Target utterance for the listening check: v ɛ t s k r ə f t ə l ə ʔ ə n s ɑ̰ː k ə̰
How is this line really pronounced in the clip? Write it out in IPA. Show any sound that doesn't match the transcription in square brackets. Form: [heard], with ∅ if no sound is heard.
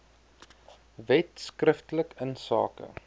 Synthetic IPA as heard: v ɛ t s k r ə f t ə l ə [k] ə n s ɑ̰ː k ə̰